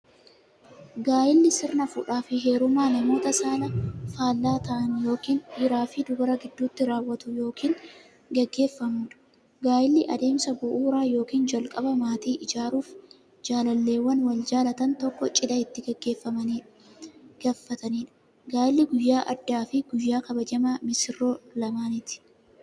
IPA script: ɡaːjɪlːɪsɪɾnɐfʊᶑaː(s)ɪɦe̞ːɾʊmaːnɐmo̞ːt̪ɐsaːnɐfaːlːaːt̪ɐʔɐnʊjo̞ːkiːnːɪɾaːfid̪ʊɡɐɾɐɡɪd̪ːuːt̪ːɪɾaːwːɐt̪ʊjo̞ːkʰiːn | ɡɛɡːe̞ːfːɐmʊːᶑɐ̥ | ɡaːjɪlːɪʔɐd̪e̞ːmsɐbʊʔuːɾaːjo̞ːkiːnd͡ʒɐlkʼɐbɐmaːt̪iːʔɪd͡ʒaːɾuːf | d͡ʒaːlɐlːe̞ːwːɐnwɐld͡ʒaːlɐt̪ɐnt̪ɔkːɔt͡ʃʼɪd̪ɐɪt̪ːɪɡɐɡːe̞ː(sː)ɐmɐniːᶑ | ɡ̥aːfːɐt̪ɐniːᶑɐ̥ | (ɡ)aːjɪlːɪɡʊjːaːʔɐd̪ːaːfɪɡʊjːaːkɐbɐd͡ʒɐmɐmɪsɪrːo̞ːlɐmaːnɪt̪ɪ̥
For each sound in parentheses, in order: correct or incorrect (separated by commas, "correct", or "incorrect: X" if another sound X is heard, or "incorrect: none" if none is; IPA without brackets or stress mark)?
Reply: incorrect: f, incorrect: fː, correct